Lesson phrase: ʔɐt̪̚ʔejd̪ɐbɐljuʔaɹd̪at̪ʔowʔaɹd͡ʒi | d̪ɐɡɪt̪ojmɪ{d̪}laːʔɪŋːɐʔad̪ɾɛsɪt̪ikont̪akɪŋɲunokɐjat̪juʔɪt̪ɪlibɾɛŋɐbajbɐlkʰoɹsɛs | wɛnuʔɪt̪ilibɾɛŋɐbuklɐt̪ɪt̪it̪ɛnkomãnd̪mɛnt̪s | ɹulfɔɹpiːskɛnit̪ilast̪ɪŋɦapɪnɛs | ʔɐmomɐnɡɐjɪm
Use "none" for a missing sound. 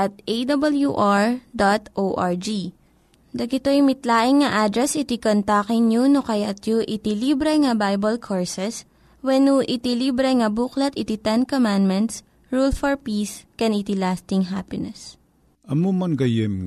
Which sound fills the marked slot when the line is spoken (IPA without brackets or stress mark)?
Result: t̪